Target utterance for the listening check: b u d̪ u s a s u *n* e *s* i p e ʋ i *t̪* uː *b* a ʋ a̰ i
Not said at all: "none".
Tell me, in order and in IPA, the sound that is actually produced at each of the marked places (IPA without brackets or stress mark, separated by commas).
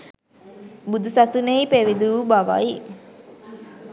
n, none, d̪, b